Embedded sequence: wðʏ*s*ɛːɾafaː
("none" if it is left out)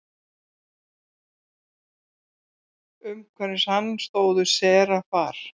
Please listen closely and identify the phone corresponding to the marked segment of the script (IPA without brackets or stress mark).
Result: s